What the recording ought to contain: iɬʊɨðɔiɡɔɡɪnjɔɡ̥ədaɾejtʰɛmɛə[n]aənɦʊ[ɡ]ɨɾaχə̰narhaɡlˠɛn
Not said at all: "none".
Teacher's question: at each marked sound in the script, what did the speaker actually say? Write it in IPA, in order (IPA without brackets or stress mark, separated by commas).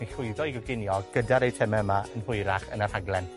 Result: m, none